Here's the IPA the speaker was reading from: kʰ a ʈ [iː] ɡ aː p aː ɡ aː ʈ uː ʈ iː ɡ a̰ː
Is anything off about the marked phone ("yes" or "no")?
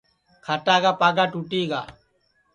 yes